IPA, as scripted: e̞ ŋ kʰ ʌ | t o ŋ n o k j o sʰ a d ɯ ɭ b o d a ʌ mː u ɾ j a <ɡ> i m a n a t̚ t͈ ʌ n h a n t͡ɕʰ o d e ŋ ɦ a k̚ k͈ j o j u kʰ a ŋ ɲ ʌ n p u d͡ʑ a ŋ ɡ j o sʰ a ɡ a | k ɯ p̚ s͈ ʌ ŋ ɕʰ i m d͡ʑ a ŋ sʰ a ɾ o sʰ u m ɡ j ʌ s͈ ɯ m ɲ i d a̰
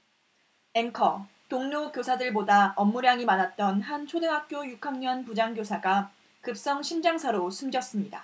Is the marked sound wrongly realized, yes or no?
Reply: yes